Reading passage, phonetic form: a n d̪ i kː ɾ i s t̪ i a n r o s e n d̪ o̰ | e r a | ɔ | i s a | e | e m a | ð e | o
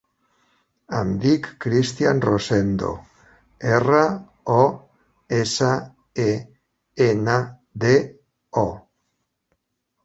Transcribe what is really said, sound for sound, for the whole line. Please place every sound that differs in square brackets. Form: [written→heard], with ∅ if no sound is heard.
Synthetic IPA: a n d̪ i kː ɾ i s t̪ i a n r o s e n d̪ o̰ | e r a | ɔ | [i→e] s a | e | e [m→n] a | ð e | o